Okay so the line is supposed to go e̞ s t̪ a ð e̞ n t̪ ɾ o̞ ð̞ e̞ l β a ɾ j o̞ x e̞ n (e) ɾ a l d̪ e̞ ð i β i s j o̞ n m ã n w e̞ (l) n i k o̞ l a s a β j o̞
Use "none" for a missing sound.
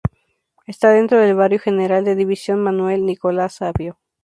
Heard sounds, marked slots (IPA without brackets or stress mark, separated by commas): e, l